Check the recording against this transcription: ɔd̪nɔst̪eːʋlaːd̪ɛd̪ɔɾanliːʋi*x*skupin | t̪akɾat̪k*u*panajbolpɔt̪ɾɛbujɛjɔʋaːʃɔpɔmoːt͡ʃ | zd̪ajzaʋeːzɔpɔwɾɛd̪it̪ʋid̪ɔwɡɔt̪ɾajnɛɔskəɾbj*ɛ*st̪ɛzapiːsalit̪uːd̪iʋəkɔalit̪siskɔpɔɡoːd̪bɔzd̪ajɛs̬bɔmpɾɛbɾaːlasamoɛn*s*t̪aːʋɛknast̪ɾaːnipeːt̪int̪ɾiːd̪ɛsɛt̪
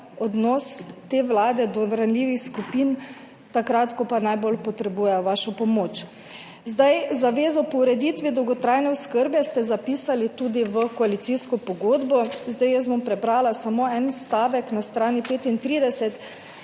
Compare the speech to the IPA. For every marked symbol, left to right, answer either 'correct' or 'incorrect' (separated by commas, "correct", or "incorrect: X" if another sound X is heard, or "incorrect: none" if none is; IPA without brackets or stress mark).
correct, incorrect: ɔ, correct, correct